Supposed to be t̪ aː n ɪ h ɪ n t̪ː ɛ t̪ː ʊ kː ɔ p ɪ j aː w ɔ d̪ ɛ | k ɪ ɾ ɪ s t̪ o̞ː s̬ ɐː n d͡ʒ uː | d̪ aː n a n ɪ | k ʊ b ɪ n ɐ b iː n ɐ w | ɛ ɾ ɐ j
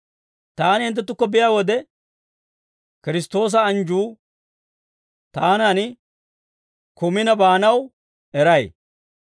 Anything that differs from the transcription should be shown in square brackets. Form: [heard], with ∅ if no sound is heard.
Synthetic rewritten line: t̪ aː n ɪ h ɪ n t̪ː ɛ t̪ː ʊ kː ɔ [b] ɪ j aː w ɔ d̪ ɛ | k ɪ ɾ ɪ s t̪ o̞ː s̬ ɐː n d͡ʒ uː | [t̪] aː n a n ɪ | k ʊ [m] ɪ n ɐ b [aː] n ɐ w | ɛ ɾ ɐ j

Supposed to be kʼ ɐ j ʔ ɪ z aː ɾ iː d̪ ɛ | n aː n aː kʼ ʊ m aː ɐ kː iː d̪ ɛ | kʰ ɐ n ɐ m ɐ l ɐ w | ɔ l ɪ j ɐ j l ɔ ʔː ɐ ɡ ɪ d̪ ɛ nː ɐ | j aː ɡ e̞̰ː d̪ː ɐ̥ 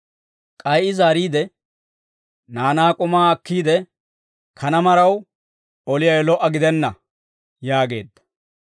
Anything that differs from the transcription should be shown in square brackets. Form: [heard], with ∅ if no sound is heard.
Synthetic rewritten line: kʼ ɐ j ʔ ɪ z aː ɾ iː d̪ ɛ | n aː n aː kʼ ʊ m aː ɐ kː iː d̪ ɛ | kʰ ɐ n ɐ m ɐ [ɾ] ɐ w | ɔ l ɪ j ɐ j l ɔ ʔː ɐ ɡ ɪ d̪ ɛ nː ɐ | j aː ɡ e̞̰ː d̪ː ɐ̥

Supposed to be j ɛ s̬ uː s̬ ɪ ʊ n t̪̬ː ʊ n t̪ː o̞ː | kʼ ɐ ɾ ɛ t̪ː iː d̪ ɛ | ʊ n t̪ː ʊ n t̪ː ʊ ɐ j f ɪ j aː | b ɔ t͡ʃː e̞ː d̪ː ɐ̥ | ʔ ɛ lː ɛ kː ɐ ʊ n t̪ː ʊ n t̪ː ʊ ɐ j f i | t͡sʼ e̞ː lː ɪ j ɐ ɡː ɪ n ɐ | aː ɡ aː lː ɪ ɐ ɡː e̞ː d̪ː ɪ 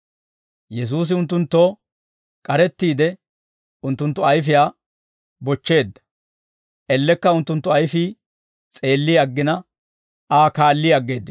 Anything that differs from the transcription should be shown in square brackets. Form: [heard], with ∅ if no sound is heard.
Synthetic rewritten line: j ɛ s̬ uː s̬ ɪ ʊ n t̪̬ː ʊ n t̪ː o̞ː | kʼ ɐ ɾ ɛ t̪ː iː d̪ ɛ | ʊ n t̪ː ʊ n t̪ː ʊ ɐ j f ɪ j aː | b ɔ t͡ʃː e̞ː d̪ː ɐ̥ | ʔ ɛ lː ɛ kː ɐ ʊ n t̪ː ʊ n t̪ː ʊ ɐ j f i | t͡sʼ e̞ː lː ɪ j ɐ ɡː ɪ n ɐ | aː [k] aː lː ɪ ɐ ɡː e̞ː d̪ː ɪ

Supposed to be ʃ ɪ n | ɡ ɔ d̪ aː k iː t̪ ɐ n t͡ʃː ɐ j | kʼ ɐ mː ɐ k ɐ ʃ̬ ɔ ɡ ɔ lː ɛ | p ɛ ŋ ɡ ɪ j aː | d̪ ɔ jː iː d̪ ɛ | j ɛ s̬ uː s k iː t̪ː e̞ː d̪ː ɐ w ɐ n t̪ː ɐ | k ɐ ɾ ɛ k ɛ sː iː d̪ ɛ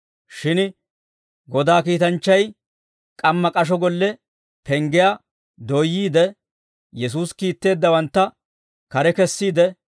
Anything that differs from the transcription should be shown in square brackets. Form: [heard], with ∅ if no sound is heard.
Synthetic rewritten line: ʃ ɪ n | ɡ ɔ d̪ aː k iː t̪ ɐ n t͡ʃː ɐ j | kʼ ɐ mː ɐ [kʼ] ɐ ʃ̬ ɔ ɡ ɔ lː ɛ | p ɛ ŋ ɡ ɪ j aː | d̪ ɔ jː iː d̪ ɛ | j ɛ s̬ uː s k iː t̪ː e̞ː d̪ː ɐ w ɐ n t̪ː ɐ | k ɐ ɾ ɛ k ɛ sː iː d̪ ɛ

